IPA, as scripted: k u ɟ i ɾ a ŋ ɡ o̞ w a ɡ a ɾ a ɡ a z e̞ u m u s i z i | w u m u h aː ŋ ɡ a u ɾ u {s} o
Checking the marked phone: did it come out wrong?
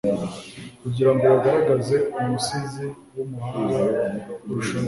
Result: yes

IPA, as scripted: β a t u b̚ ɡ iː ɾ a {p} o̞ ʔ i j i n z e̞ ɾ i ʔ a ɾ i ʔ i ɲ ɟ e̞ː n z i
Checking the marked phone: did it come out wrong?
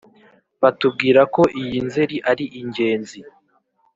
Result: yes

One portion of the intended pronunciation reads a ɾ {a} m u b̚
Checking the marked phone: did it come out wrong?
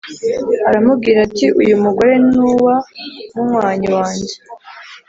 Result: no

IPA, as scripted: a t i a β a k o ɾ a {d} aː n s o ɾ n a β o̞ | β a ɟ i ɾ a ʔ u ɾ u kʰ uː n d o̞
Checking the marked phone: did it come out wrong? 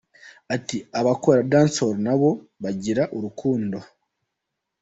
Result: no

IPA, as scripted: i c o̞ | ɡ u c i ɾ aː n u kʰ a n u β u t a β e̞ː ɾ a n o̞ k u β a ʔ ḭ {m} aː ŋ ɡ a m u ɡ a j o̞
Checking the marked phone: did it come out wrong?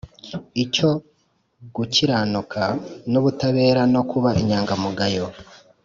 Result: yes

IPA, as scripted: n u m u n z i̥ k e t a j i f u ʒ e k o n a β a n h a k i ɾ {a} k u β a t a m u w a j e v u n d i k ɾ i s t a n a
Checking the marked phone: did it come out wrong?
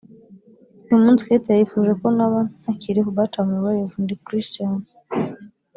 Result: yes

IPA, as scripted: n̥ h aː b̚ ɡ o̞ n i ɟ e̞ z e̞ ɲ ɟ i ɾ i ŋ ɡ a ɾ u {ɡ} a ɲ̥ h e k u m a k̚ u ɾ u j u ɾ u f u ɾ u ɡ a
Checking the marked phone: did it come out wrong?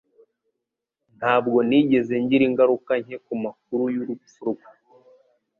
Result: yes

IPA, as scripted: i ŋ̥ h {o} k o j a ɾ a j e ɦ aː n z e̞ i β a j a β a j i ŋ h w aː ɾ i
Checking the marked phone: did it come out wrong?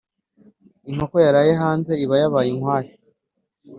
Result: no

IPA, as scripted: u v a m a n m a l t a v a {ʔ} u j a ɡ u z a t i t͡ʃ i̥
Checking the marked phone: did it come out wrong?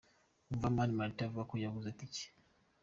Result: yes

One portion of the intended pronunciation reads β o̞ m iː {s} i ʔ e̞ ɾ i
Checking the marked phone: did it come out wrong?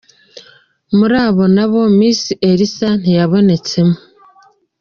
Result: no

